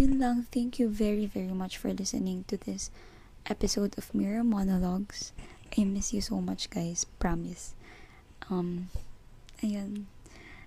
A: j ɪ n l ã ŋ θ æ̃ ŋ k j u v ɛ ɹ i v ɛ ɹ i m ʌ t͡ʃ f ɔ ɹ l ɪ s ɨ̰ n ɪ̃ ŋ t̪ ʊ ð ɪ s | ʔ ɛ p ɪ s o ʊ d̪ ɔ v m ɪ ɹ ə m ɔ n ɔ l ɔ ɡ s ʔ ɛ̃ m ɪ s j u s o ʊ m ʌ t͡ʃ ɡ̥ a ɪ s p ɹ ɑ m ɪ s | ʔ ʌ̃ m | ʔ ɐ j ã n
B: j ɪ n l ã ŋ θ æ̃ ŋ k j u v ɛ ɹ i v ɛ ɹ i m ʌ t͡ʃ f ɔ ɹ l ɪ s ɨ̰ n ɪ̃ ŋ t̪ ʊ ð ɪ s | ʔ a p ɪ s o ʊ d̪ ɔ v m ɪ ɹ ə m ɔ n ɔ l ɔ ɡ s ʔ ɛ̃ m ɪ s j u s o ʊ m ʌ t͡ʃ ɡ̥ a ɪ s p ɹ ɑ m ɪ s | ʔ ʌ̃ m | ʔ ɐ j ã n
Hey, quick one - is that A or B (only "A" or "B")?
A